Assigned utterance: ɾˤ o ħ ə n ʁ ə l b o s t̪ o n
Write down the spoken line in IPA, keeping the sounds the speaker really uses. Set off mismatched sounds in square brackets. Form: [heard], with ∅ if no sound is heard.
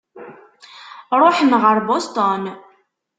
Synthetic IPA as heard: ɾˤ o ħ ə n ʁ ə [ɾ] b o s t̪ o n

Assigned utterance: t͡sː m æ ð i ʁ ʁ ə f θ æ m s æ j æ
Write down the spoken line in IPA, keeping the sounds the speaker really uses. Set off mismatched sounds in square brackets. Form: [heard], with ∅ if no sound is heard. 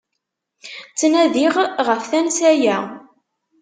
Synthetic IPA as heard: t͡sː [n] æ ð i ʁ ʁ ə f θ æ [n] s æ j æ

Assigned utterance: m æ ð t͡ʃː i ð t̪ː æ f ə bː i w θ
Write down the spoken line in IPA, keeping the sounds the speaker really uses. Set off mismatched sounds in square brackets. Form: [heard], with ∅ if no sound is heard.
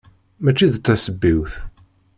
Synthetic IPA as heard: m æ [∅] t͡ʃː i ð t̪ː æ [s] ə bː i w θ

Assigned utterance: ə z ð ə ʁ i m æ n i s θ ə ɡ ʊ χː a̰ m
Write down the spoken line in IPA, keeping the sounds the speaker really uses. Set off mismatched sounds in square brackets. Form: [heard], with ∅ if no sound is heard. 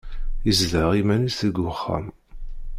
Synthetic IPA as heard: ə z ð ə ʁ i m æ n i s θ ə ɡ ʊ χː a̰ m

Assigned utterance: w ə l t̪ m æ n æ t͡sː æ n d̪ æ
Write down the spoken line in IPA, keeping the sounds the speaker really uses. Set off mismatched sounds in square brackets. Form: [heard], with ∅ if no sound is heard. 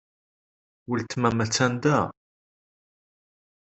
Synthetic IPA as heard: w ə l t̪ m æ [m] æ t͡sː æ n d̪ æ

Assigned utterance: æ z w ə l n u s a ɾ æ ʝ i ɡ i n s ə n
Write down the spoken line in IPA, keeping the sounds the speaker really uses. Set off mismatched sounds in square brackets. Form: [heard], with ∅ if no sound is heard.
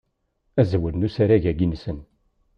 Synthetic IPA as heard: æ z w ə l n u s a ɾ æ ʝ [æ] ɡ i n s ə n

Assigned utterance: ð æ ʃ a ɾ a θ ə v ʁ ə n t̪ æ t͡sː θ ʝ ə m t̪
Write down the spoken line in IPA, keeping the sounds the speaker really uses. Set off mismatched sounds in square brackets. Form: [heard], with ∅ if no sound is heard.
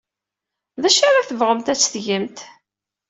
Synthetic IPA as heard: ð æ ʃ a ɾ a θ ə v ʁ ə [m] t̪ æ t͡sː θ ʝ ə m t̪

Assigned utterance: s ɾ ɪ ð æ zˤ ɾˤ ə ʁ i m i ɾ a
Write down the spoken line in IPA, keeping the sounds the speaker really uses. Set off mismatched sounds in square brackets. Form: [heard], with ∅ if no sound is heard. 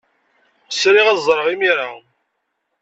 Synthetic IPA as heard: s ɾ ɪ [ʁ] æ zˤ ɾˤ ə ʁ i m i ɾ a

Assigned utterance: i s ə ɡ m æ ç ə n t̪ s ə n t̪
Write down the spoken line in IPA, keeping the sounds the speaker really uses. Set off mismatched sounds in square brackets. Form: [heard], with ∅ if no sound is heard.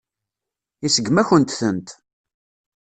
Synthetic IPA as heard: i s ə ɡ m æ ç ə n t̪ [θ] ə n t̪

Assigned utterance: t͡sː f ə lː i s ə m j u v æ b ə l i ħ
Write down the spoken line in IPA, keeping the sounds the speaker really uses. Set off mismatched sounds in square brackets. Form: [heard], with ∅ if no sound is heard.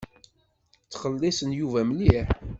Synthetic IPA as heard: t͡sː [χ] ə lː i s ə [n] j u v æ [m] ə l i ħ

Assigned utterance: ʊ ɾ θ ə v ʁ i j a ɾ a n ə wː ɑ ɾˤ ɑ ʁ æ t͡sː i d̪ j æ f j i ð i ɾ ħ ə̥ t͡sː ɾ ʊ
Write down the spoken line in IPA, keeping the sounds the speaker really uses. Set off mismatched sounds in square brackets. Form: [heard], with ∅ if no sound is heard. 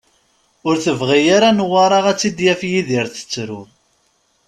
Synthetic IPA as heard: ʊ ɾ θ ə v ʁ i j a ɾ a n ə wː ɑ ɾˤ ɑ ʁ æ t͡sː i d̪ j æ f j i ð i ɾ [θ] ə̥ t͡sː ɾ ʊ

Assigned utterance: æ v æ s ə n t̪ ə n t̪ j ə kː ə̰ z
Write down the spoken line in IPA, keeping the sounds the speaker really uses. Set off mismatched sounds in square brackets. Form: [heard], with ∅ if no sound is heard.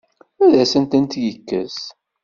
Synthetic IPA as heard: æ [ð] æ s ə n t̪ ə n t̪ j ə kː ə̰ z

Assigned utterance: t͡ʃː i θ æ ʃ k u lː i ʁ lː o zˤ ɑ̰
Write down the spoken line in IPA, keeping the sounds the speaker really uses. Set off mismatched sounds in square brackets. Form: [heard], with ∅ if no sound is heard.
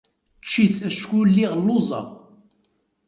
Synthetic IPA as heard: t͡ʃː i θ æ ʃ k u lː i ʁ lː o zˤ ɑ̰

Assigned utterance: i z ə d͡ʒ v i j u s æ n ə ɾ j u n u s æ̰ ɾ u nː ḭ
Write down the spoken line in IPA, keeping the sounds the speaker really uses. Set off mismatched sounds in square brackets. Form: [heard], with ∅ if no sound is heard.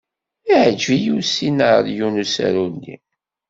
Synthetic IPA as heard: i [ʕ] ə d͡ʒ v i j u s [i] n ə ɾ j u n u s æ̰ ɾ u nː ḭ

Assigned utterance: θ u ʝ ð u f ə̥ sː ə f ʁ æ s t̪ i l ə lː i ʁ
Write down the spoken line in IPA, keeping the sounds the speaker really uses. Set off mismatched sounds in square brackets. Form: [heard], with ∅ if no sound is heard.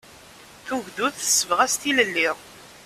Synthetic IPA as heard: θ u ʝ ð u [θ] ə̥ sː ə [v] ʁ æ s t̪ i l ə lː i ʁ

